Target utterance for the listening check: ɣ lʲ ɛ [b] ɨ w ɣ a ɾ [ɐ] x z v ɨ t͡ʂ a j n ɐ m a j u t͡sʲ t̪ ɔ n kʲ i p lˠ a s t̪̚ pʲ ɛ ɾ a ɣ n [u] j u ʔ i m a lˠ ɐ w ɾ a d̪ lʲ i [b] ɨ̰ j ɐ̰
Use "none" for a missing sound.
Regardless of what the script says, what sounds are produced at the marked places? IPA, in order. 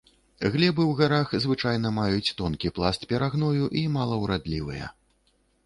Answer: b, a, ɔ, v

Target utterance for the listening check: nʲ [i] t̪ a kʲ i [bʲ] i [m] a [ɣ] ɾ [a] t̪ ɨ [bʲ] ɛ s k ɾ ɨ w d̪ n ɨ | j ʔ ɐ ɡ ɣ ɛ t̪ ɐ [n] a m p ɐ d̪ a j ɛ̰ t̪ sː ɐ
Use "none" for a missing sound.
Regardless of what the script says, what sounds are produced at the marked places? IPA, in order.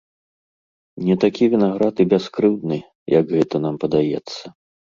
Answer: ɛ, vʲ, n, ɣ, a, bʲ, n

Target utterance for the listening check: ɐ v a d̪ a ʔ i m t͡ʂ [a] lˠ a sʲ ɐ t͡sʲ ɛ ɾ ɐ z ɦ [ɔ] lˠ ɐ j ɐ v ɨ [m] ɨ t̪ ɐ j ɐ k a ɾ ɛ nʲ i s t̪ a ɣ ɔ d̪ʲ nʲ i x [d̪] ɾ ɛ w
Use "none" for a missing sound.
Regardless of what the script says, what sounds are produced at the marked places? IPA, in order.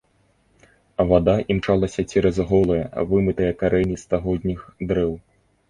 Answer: a, ɔ, m, d̪

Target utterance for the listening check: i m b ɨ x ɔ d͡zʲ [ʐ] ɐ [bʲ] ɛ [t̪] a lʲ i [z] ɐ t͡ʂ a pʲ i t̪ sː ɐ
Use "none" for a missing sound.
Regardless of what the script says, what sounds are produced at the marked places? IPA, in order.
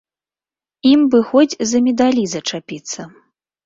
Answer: z, mʲ, d̪, z

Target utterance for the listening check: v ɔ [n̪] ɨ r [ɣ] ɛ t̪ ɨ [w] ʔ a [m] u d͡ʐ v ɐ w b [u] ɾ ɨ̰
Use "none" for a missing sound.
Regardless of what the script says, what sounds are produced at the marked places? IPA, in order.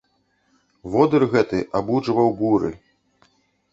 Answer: d̪, ɣ, none, b, u

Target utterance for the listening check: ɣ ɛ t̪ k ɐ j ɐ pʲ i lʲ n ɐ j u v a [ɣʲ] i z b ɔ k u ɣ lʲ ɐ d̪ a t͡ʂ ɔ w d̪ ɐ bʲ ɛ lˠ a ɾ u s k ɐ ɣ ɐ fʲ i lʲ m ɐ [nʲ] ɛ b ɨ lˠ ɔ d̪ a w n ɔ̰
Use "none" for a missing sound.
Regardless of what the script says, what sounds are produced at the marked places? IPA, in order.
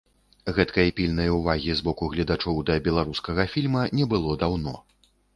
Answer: ɣʲ, nʲ

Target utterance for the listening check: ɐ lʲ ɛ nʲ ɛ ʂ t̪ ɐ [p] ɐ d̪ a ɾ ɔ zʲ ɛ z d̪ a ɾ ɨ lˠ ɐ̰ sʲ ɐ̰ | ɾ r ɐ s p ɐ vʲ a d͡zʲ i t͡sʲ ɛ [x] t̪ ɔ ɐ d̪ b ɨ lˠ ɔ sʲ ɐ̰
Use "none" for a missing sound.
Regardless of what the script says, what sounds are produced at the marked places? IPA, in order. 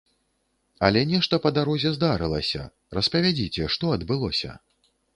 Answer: p, ʂ

